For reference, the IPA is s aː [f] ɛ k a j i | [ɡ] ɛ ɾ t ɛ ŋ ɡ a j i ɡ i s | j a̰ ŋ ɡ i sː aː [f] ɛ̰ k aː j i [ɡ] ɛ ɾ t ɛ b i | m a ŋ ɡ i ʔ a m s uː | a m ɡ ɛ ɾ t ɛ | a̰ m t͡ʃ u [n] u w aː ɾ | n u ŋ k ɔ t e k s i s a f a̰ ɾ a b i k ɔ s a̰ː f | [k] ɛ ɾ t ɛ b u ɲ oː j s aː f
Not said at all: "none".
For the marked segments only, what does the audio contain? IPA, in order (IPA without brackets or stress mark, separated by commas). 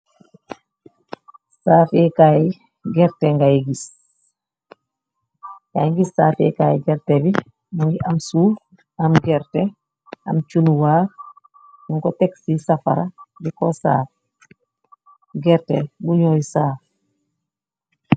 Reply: f, ɡ, f, ɡ, n, ɡ